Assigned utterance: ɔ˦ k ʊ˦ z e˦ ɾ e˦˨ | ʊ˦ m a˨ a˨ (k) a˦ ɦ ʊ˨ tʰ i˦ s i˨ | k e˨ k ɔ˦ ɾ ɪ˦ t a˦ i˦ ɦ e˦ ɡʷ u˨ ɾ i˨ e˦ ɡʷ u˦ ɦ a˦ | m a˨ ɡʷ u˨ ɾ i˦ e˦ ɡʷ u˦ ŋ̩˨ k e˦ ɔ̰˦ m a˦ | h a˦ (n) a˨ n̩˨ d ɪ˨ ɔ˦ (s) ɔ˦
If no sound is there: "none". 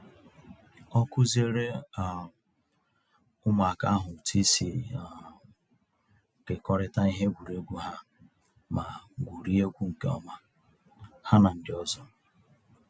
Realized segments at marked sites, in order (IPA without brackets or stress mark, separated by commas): k, n, z